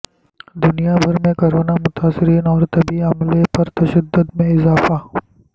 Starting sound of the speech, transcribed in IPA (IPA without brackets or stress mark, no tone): d̪